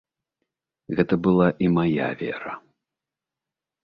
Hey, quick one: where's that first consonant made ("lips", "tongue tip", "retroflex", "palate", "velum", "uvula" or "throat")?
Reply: velum